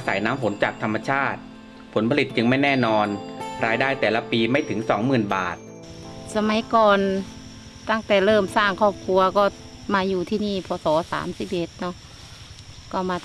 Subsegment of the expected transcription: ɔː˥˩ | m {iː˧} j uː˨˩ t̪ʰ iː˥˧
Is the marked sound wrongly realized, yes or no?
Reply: yes